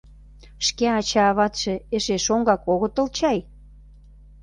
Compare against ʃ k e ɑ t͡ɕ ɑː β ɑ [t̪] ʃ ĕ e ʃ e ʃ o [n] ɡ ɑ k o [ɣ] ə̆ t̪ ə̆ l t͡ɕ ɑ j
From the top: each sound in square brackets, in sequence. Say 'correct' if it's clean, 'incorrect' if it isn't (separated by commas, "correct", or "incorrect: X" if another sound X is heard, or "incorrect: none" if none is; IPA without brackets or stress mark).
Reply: correct, incorrect: ŋ, correct